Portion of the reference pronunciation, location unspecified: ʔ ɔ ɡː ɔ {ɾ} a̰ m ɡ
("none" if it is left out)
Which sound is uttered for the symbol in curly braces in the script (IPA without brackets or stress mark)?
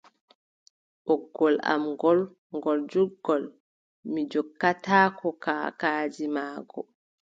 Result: l